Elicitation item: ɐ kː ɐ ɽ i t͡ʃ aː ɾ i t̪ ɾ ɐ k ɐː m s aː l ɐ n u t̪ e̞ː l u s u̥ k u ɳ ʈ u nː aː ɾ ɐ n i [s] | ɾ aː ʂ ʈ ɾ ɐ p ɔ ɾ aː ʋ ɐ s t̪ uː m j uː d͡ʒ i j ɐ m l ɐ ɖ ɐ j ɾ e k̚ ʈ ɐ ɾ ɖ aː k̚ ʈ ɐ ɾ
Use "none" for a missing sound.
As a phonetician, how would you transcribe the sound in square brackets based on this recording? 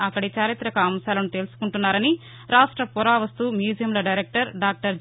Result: none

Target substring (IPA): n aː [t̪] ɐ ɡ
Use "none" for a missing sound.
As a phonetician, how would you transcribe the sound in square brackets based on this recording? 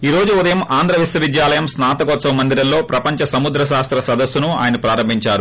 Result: t̪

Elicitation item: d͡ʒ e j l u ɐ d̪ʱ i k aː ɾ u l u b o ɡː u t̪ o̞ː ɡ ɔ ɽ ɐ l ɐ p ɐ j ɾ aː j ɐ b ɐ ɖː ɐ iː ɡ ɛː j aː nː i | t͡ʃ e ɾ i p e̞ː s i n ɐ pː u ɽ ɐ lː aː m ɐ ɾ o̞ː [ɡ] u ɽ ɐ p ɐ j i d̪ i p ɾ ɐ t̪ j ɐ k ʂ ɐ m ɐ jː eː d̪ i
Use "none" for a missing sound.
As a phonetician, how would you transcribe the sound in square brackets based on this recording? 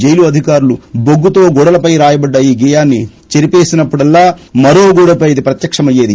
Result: ɡ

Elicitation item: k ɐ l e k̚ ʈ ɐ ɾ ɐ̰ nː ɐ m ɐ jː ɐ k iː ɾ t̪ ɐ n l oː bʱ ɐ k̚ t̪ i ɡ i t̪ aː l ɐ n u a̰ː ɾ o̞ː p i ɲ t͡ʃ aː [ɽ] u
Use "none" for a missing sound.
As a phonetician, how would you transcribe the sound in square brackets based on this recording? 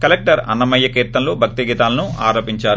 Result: ɾ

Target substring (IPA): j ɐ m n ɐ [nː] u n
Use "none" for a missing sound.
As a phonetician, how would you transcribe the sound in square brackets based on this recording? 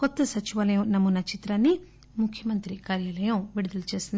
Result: mː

